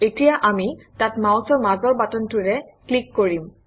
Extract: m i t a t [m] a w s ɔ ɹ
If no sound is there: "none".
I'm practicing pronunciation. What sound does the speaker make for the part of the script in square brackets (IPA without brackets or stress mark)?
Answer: m